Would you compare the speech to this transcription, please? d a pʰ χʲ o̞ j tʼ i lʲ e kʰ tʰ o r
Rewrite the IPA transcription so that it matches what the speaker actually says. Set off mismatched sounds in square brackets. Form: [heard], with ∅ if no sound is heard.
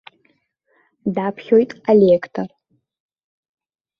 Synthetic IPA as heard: d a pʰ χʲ o̞ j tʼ [a] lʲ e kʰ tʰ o r